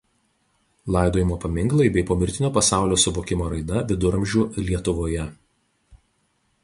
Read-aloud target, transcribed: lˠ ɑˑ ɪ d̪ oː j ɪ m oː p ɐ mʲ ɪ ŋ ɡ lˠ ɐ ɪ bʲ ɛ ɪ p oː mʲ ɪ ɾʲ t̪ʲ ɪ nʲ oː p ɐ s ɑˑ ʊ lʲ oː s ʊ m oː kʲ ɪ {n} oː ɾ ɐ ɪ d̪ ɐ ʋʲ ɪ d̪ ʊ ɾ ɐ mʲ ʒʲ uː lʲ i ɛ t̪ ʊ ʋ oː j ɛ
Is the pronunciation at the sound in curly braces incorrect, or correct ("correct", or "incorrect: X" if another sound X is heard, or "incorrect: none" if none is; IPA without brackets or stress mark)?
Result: incorrect: m